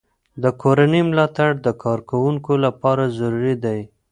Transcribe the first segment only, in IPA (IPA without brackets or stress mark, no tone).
d̪